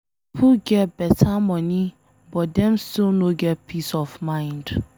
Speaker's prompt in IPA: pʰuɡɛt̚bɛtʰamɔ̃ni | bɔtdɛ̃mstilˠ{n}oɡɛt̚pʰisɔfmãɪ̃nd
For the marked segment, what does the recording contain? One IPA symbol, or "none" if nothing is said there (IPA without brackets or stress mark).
n